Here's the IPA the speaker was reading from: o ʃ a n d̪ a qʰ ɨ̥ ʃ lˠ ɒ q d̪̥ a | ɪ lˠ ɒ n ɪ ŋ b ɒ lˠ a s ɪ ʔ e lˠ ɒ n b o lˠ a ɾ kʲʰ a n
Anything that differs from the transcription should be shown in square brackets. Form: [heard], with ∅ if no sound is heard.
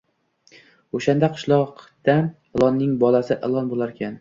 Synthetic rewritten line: o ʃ a n d̪ a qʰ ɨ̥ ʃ lˠ ɒ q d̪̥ a | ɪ lˠ ɒ [nː] ɪ ŋ b ɒ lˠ a s ɪ ʔ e lˠ ɒ n b o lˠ a ɾ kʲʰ a n